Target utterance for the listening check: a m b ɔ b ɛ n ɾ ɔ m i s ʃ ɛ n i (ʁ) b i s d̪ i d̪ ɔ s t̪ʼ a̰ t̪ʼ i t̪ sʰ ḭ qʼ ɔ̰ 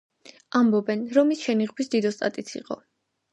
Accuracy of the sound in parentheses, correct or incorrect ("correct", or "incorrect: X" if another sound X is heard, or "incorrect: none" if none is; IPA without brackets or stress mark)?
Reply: correct